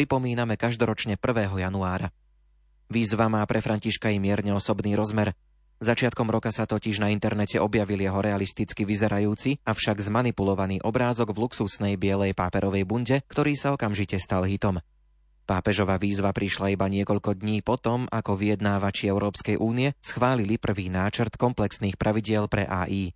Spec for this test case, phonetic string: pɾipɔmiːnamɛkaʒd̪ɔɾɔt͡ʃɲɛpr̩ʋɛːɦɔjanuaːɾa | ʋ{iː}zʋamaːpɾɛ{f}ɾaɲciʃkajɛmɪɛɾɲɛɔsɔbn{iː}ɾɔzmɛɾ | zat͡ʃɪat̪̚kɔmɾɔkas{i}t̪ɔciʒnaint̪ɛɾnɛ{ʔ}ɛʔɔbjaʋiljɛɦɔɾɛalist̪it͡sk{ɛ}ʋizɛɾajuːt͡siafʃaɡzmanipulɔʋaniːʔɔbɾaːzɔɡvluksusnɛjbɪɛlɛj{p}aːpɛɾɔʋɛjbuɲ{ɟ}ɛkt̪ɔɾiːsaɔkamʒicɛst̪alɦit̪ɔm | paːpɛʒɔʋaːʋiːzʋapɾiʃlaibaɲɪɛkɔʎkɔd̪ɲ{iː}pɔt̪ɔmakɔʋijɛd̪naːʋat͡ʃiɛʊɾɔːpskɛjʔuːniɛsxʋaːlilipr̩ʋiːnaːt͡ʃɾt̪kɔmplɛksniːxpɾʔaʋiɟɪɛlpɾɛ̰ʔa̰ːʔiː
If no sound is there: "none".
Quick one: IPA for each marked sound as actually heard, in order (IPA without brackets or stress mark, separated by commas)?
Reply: iː, f, iː, a, c, i, p, ɟ, iː